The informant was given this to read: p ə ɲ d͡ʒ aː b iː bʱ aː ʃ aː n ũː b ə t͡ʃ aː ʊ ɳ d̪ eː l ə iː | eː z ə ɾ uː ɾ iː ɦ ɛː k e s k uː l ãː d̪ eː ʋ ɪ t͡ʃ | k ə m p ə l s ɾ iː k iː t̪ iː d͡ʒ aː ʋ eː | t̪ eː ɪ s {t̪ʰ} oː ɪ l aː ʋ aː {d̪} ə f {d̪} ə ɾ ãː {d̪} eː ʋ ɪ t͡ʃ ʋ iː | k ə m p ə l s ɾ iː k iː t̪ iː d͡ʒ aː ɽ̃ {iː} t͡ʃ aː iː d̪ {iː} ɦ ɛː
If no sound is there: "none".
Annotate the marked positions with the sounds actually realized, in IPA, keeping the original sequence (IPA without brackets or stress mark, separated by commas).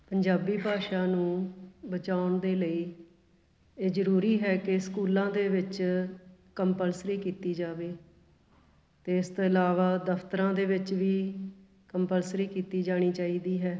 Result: t̪, d̪, t̪, d̪, iː, iː